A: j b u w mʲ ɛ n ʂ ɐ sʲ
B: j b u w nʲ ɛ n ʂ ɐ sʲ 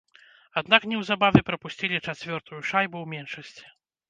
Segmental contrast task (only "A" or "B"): A